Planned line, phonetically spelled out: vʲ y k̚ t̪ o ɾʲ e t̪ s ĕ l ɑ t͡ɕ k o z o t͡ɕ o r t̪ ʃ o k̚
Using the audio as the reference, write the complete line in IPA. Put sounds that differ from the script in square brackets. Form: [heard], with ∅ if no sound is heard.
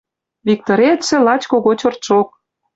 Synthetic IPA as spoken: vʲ [i] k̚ t̪ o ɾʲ e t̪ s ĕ l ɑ t͡ɕ k o [ɣ] o t͡ɕ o r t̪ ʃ o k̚